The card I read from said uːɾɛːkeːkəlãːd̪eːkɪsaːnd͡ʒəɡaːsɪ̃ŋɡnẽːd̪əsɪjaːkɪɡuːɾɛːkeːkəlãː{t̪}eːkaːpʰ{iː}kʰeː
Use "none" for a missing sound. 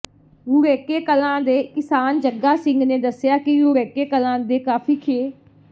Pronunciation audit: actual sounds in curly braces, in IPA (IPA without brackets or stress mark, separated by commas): d̪, iː